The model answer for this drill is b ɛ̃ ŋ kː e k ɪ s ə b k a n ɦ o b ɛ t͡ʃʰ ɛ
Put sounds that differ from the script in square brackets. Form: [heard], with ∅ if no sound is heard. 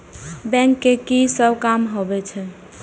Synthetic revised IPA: b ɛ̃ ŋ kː e k [i] s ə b k a [m] ɦ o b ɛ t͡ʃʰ ɛ

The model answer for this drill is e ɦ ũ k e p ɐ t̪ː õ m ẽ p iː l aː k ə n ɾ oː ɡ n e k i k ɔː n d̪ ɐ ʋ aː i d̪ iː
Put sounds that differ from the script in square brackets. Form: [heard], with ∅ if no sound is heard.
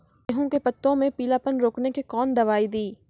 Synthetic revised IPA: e ɦ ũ k e p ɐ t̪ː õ m ẽ p iː l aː [p] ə n ɾ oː [k] n e k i k ɔː n d̪ ɐ ʋ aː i d̪ iː

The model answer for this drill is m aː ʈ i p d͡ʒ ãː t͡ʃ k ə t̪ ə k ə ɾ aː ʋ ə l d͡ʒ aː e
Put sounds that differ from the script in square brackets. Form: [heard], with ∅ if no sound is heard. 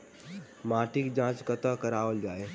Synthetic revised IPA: m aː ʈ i [k] d͡ʒ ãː t͡ʃ k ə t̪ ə k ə ɾ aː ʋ ə l d͡ʒ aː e

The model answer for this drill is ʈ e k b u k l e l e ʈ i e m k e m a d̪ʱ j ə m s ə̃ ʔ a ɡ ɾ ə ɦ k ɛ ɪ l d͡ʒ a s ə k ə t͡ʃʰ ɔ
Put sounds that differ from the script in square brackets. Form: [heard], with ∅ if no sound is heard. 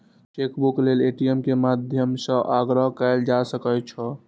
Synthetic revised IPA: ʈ e k b u k l e l e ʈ i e m k e m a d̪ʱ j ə m s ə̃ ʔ a ɡ ɾ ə ɦ k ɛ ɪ l d͡ʒ a s ə k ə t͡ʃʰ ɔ

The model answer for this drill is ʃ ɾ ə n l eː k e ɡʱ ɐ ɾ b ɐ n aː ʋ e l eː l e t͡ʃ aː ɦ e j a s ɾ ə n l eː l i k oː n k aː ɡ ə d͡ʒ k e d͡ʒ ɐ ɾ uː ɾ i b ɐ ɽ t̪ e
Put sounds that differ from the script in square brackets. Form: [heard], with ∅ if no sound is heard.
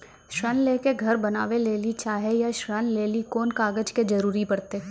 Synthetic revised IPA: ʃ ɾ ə n l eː k e ɡʱ ɐ ɾ b ɐ n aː ʋ e l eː l [i] t͡ʃ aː ɦ e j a [ʃ] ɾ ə n l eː l i k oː n k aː ɡ ə d͡ʒ k e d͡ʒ ɐ ɾ uː ɾ i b ɐ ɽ t̪ e

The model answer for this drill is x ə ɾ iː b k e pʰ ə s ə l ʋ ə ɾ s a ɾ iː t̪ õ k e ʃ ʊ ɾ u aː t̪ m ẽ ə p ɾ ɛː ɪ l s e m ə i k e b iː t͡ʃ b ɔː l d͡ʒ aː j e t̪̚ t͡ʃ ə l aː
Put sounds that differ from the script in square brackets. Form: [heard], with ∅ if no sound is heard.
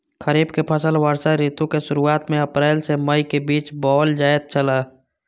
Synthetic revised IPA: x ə ɾ iː b k e pʰ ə s ə l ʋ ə ɾ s a ɾ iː t̪ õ k e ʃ ʊ ɾ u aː t̪ m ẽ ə p ɾ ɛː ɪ l s e m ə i k e b iː t͡ʃ b ɔː l d͡ʒ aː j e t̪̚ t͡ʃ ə l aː

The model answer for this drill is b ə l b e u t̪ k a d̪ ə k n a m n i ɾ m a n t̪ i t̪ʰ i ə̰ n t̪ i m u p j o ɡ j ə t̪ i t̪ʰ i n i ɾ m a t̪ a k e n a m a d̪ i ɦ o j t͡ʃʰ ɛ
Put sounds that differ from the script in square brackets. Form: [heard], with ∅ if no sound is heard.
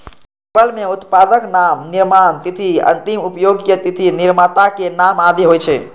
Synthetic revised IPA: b ə l [m] e u t̪ [p] a d̪ ə k n a m n i ɾ m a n t̪ i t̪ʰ i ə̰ n t̪ i m u p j o ɡ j ə t̪ i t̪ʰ i n i ɾ m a t̪ a k e n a m a d̪ i ɦ o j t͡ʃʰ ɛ

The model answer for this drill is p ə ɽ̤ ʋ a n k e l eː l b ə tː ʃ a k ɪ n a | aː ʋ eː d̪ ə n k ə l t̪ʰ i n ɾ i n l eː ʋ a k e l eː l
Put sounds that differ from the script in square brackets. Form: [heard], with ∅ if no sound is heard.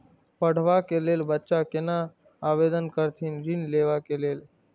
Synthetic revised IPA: p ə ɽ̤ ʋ a [∅] k e l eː l b ə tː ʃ a k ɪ n a | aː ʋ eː d̪ ə n k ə [ɾ] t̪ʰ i n ɾ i n l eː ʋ a k e l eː l

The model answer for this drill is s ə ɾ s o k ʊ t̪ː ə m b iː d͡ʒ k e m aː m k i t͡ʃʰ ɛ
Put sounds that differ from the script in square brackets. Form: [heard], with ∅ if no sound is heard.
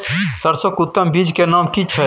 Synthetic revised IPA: s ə ɾ s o k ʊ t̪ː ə m b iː d͡ʒ k e [n] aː m k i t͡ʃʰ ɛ

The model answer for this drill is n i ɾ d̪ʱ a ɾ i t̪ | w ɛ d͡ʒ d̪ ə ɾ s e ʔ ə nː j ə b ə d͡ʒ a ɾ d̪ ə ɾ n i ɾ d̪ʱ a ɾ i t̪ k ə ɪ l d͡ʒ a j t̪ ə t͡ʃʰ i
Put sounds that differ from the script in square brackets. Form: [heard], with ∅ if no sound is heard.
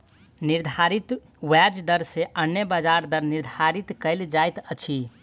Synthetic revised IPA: n i ɾ d̪ʱ a ɾ i t̪ | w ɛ d͡ʒ d̪ ə ɾ s e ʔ ə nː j ə b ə d͡ʒ a ɾ d̪ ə ɾ n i ɾ d̪ʱ a ɾ i t̪ k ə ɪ l d͡ʒ a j t̪ ə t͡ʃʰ i

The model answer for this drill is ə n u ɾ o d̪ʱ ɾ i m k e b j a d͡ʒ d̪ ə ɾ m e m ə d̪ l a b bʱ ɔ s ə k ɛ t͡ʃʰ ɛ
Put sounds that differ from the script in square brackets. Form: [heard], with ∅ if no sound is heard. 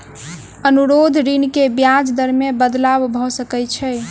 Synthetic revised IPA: ə n u ɾ o d̪ʱ ɾ i [n] k e b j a d͡ʒ d̪ ə ɾ m e [b] ə d̪ l a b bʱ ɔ s ə k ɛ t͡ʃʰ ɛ

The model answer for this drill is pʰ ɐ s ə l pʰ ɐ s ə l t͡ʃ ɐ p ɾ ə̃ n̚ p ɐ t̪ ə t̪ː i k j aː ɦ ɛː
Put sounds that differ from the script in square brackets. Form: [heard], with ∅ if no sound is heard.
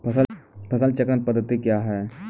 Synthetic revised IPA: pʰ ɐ s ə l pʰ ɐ s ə l t͡ʃ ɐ [k] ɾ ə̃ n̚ p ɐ [d̪] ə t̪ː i k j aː ɦ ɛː

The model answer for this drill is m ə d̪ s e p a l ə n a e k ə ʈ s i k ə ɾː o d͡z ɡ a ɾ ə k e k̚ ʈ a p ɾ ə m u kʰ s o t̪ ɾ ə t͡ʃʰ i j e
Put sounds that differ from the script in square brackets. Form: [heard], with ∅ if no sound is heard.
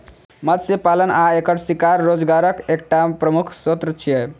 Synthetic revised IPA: m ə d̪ s e p a l ə n a e k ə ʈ s i k [a] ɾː o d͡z ɡ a ɾ ə k e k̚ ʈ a p ɾ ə m u kʰ s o t̪ ɾ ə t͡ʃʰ i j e

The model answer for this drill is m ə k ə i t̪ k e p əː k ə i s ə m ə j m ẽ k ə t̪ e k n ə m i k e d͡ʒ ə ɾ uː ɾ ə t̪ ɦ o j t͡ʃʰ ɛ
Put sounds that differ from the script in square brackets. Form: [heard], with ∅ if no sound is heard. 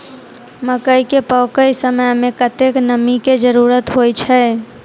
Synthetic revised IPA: m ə k ə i [∅] k e p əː k ə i s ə m ə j m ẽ k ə t̪ e k n ə m i k e d͡ʒ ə ɾ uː ɾ ə t̪ ɦ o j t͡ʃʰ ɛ

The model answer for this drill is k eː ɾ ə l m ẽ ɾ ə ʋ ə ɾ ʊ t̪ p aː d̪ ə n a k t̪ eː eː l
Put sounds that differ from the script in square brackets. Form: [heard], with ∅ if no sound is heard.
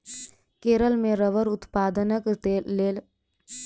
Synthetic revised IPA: k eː ɾ ə l m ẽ ɾ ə ʋ ə ɾ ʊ t̪ p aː d̪ ə n [ə] k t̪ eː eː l

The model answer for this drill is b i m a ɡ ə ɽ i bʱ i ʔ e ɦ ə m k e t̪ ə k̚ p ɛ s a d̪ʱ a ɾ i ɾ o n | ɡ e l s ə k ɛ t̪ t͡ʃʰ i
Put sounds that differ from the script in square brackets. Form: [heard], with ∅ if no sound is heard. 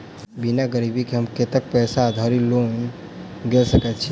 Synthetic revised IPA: b i [n] a ɡ ə [ɾ] i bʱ i [k] e ɦ ə m k e t̪ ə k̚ p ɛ s a d̪ʱ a ɾ i [l] o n | ɡ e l s ə k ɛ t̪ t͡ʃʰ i

